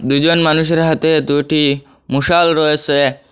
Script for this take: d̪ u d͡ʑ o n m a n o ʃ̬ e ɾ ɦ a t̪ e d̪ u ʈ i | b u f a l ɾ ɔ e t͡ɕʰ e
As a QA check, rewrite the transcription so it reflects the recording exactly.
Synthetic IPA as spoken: d̪ u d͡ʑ o n m a n u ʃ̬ e ɾ ɦ a t̪ e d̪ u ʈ i | m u ʃ a l ɾ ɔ e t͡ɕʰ e

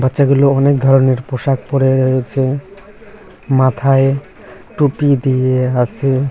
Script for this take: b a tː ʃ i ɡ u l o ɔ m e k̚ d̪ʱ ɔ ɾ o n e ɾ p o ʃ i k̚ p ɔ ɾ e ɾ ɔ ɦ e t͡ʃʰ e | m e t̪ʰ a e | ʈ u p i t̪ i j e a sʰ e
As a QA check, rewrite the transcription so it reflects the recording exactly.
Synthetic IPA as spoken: b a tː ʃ a ɡ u l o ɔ n e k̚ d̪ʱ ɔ ɾ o n e ɾ p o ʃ a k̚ p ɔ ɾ e ɾ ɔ ɦ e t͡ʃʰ e | m a t̪ʰ a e | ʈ u p i d̪ i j e a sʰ e

